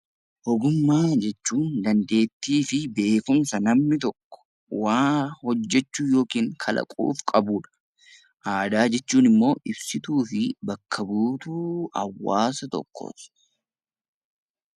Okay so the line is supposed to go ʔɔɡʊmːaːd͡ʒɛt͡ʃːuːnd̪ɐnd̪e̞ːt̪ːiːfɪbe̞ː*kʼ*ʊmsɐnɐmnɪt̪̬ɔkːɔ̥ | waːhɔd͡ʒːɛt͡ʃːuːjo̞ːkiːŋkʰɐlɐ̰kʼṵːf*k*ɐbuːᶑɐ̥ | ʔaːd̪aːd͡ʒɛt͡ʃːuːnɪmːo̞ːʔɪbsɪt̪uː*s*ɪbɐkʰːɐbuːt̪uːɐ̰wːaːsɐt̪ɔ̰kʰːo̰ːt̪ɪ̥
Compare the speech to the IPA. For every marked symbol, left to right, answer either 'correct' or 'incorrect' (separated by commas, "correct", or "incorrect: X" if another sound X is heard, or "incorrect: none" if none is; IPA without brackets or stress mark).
incorrect: k, incorrect: kʼ, incorrect: f